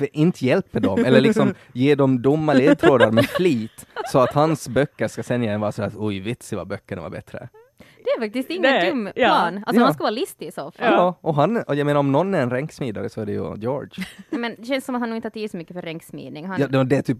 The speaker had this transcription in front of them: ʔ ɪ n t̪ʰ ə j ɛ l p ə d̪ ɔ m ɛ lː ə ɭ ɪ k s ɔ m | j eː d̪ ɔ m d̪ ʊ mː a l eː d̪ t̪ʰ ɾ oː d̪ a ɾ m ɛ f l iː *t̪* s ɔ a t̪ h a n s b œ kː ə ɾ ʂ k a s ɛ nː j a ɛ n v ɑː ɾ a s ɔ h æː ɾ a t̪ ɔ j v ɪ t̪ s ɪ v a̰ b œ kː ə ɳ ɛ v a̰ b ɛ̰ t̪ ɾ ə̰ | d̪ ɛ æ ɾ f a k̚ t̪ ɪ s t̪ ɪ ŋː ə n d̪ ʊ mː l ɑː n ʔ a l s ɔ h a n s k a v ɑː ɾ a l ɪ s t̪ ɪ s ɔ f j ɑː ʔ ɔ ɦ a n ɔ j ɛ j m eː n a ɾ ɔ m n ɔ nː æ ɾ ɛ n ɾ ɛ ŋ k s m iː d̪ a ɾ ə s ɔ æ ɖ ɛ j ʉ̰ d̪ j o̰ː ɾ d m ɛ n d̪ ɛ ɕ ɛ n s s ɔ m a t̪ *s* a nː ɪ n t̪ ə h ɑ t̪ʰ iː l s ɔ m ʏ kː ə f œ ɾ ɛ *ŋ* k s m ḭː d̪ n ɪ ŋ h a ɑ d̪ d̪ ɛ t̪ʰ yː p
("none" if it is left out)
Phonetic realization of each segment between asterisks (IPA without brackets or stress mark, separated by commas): t̪, h, ŋ